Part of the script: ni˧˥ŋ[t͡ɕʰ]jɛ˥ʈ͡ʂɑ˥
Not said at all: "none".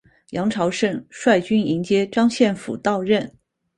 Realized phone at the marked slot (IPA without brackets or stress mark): t͡ɕ